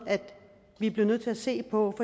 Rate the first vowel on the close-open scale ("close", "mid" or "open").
open